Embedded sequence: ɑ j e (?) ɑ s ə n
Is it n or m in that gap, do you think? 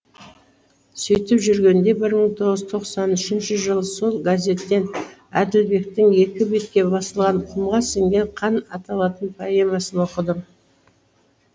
m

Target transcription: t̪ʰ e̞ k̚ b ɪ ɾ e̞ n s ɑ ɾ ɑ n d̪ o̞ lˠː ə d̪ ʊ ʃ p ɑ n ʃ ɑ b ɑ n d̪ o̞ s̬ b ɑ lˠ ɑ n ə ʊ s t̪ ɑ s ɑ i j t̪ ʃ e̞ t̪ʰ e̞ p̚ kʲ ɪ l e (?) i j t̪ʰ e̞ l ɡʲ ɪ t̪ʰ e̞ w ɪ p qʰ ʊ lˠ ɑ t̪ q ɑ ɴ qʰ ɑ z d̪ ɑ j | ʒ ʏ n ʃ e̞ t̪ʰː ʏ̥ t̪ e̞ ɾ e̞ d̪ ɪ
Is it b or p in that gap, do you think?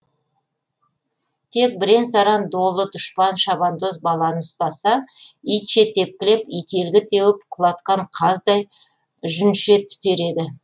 p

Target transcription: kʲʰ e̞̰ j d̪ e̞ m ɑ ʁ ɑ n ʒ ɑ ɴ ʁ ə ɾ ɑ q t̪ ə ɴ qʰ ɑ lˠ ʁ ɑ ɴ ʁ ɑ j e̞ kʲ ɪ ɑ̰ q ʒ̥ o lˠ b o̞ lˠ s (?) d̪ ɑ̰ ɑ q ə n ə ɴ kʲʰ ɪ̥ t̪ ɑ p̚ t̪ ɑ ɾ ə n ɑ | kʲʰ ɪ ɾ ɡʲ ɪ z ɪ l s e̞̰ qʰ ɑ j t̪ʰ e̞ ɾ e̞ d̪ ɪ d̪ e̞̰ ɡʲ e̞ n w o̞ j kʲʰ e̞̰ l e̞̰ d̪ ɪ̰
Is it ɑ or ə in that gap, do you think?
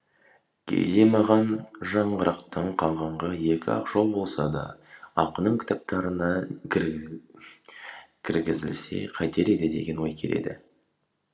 ɑ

